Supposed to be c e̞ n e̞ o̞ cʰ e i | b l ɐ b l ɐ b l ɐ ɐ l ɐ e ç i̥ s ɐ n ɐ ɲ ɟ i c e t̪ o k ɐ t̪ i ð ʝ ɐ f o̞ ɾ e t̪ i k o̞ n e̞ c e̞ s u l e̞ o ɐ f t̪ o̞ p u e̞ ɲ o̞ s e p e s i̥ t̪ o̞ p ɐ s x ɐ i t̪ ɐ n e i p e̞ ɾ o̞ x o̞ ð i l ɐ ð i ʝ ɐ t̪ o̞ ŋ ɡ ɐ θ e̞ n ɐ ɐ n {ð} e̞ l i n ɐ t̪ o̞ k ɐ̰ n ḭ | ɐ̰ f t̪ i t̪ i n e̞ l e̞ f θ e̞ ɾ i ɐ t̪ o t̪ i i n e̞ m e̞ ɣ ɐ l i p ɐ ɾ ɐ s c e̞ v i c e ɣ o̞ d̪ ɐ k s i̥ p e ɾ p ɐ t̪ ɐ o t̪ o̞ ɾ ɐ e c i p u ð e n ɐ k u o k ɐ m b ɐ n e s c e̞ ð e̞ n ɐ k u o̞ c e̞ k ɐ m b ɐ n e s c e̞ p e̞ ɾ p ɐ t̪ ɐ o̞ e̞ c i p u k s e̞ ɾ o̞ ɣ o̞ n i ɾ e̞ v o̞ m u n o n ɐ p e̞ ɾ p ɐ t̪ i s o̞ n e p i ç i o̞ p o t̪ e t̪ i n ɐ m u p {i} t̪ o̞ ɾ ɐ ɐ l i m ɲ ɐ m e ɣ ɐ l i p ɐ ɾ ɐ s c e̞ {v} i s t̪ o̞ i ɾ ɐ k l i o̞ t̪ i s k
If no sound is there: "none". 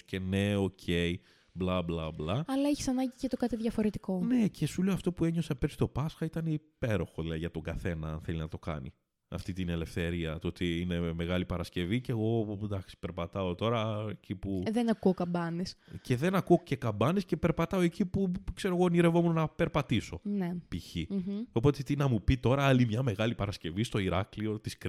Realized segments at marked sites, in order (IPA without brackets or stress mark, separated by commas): θ, i, v